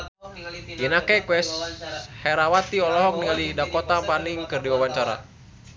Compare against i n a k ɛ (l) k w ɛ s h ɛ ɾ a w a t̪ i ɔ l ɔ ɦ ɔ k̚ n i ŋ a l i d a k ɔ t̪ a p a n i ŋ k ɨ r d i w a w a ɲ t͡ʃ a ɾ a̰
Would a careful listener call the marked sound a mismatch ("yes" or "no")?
yes